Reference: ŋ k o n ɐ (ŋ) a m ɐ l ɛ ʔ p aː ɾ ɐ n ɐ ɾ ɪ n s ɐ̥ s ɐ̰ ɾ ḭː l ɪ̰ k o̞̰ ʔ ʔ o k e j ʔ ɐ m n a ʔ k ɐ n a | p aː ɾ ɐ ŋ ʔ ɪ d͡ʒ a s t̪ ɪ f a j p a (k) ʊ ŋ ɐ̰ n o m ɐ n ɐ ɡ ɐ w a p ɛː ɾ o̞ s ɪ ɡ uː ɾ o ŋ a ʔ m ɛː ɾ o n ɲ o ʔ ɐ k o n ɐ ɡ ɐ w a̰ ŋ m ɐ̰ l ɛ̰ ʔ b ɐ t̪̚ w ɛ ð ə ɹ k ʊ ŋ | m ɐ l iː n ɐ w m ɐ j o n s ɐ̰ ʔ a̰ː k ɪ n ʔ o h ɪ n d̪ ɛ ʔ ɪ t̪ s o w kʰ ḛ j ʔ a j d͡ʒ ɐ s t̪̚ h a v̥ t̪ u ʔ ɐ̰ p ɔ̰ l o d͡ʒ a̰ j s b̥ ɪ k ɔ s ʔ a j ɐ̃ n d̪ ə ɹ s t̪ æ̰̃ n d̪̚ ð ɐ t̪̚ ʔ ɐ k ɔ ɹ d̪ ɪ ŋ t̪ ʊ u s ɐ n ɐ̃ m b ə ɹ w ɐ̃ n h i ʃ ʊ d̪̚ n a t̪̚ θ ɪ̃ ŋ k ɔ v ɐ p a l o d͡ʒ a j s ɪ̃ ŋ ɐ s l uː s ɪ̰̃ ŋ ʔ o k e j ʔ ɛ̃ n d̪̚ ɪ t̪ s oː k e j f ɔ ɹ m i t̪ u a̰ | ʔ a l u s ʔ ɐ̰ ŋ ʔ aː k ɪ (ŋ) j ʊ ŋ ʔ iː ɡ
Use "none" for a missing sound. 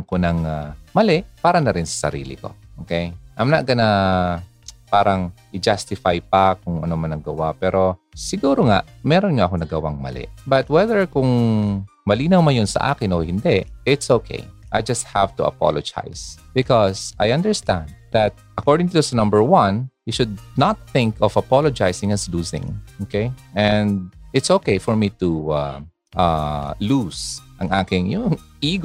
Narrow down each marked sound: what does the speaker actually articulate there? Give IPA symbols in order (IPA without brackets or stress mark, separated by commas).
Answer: ŋ, k, ŋ